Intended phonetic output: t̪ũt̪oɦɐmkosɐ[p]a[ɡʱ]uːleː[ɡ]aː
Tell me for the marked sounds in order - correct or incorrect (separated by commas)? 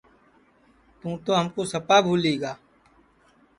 correct, incorrect, correct